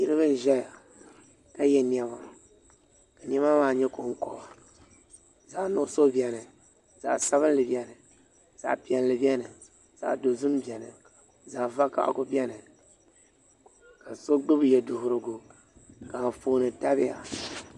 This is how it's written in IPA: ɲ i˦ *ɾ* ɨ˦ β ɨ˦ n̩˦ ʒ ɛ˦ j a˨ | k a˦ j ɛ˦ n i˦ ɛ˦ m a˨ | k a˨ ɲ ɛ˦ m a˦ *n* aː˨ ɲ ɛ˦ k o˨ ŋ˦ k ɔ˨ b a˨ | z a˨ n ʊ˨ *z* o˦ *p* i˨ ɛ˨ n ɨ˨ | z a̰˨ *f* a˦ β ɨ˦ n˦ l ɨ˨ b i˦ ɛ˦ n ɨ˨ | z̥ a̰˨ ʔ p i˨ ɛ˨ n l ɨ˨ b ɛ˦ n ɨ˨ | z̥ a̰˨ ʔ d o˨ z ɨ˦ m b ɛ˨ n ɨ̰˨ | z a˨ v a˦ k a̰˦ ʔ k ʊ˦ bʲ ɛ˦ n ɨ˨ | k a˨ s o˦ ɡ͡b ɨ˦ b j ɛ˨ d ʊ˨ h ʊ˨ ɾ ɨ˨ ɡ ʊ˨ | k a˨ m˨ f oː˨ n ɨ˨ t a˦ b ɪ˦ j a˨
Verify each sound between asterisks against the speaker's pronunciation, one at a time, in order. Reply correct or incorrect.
correct, incorrect, incorrect, incorrect, incorrect

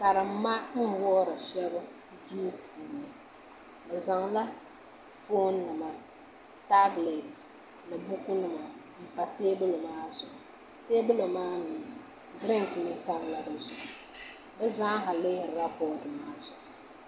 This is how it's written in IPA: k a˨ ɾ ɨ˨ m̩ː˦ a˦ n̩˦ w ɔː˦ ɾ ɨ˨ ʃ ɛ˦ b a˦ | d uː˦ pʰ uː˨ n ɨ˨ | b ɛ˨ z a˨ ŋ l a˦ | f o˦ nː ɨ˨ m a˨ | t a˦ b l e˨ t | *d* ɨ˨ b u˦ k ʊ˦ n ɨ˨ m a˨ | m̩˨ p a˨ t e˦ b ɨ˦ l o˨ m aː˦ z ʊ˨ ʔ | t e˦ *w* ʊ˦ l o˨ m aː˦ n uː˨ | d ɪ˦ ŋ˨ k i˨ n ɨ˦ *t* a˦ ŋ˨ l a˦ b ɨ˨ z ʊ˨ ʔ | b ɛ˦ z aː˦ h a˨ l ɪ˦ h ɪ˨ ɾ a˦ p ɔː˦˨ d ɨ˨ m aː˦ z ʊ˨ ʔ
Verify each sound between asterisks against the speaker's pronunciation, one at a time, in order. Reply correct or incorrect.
incorrect, incorrect, correct

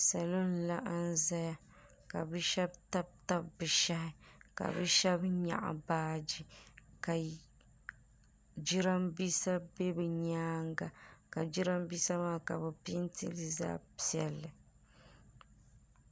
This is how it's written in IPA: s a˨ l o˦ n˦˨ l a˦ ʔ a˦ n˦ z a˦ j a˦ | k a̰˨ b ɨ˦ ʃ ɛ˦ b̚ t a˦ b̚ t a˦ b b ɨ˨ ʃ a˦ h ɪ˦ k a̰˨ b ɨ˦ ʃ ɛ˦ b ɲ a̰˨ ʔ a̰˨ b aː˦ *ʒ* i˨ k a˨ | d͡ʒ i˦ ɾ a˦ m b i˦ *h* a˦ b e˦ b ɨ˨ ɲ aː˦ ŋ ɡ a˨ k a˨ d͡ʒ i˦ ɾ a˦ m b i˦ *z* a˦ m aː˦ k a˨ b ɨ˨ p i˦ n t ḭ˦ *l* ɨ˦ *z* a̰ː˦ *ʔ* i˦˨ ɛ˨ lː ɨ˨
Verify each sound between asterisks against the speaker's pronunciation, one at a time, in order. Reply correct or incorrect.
incorrect, incorrect, incorrect, correct, correct, incorrect

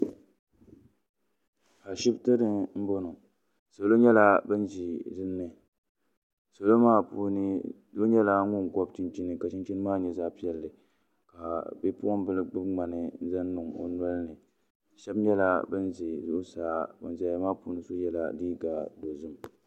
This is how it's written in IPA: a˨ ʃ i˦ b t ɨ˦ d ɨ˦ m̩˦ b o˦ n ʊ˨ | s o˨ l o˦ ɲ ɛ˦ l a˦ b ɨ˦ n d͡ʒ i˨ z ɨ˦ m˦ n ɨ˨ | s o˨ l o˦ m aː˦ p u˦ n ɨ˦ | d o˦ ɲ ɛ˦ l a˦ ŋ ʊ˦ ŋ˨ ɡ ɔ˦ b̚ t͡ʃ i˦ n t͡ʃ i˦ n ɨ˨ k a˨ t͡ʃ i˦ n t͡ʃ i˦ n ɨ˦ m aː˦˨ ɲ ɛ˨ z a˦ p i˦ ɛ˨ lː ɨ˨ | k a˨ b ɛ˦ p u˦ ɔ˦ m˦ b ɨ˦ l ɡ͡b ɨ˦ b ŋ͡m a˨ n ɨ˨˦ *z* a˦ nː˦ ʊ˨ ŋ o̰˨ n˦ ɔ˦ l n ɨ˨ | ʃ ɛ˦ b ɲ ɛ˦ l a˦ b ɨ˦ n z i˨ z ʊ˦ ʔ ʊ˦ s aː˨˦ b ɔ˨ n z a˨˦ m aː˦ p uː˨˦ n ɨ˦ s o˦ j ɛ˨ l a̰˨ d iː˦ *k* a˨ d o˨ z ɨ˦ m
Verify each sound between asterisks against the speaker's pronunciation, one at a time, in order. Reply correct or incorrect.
correct, incorrect

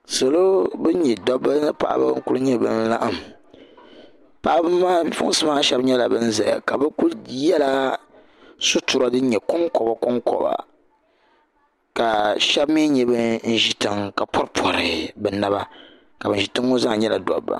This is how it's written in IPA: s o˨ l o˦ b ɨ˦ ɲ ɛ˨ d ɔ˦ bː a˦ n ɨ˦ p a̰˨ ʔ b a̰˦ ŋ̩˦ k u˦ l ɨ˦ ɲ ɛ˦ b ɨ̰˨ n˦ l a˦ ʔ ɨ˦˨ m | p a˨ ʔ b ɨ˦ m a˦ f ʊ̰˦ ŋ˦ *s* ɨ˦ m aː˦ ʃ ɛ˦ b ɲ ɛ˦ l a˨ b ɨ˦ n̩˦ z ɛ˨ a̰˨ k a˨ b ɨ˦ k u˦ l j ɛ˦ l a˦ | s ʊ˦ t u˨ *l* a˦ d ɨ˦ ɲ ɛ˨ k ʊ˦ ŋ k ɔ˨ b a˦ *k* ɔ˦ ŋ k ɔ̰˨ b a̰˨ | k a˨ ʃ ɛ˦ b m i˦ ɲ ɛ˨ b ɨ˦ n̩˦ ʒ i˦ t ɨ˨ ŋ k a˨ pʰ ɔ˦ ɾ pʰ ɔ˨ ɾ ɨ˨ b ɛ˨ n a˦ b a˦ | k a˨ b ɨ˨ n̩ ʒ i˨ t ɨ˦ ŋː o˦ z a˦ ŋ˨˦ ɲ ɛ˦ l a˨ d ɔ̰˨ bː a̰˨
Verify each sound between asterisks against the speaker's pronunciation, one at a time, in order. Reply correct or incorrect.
correct, incorrect, correct

